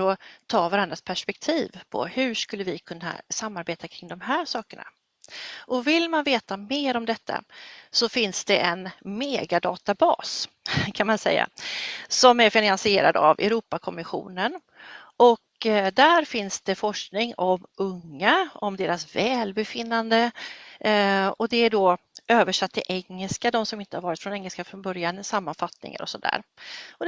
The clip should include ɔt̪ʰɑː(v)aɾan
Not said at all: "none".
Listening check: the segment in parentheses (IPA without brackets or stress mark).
v